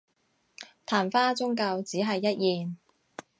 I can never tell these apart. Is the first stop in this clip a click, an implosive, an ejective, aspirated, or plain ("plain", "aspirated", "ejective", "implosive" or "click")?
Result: aspirated